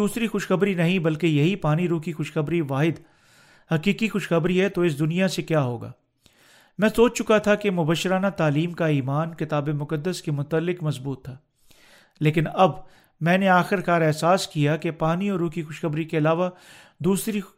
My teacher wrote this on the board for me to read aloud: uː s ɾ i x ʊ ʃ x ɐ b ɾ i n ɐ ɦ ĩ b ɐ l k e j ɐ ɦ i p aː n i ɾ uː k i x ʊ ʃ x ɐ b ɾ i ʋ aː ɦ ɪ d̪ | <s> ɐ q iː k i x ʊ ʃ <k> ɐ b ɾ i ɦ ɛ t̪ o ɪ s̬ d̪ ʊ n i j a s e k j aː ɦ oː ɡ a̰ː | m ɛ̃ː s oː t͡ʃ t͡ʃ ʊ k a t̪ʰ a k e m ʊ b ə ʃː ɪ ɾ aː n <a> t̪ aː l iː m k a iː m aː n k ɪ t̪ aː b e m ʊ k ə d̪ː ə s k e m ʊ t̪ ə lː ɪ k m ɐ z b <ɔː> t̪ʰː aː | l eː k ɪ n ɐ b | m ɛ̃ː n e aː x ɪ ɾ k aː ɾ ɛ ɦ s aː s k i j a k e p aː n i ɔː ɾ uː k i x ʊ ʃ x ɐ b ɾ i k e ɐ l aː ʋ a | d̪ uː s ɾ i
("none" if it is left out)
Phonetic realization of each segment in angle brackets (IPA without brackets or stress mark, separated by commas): h, x, a, uː